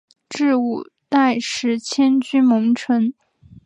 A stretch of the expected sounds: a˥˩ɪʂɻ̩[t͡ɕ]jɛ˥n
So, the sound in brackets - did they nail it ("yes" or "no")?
no